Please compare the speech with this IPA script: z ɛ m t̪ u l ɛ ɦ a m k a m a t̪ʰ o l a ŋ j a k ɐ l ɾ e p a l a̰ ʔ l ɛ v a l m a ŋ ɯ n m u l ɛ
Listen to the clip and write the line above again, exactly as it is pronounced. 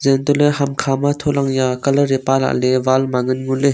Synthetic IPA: z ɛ n t̪ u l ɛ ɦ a m kʰ a m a t̪ʰ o l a ŋ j a k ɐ l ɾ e p a l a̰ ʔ l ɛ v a l m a ŋ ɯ n ŋ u l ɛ